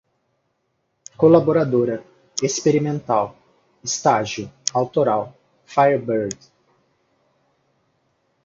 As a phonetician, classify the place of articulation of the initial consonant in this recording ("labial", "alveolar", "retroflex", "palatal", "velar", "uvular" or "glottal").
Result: velar